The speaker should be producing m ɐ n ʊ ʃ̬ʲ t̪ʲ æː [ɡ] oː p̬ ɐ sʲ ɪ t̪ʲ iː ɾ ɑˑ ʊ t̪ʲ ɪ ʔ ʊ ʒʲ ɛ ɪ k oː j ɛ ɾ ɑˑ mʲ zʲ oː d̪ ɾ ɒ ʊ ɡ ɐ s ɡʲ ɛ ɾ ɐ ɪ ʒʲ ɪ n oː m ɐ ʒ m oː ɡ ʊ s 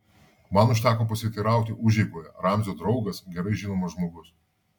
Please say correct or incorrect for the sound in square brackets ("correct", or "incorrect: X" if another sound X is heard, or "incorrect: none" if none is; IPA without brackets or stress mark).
incorrect: k